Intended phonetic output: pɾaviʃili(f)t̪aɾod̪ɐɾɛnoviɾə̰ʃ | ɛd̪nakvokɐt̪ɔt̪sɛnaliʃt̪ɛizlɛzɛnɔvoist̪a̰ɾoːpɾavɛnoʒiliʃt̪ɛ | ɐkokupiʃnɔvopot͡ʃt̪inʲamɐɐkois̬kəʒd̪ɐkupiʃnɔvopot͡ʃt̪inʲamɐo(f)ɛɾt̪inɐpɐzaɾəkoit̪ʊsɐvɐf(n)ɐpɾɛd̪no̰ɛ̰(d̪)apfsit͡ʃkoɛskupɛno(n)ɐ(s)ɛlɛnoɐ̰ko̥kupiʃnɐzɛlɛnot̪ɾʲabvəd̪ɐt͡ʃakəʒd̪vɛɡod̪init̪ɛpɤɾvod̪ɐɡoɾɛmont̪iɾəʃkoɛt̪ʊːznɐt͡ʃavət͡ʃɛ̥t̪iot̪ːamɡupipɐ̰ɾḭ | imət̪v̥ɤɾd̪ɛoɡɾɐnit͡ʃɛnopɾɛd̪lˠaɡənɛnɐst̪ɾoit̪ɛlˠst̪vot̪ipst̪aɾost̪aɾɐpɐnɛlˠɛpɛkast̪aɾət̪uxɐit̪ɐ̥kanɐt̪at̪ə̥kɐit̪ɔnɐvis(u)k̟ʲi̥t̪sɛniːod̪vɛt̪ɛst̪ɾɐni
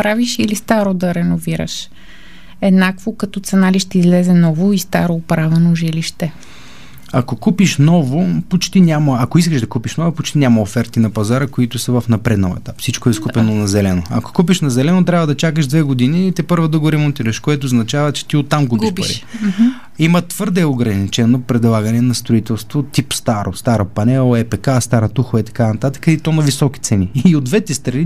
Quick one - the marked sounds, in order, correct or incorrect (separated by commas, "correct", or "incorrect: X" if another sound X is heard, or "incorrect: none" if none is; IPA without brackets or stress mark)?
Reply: incorrect: s, correct, correct, incorrect: t̪, correct, incorrect: z, incorrect: ɔ